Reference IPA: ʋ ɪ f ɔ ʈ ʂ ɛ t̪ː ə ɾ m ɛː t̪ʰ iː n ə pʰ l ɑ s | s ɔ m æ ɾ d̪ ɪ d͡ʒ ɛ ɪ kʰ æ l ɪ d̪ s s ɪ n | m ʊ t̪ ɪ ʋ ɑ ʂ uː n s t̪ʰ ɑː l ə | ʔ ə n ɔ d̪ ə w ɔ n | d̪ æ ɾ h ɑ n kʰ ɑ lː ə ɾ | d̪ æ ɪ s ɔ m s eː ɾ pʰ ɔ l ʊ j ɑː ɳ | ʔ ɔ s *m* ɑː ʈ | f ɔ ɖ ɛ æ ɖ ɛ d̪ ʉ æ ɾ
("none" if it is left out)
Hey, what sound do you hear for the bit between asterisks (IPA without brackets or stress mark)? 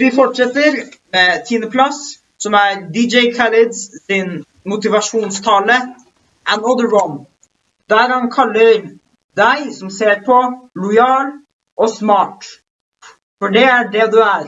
m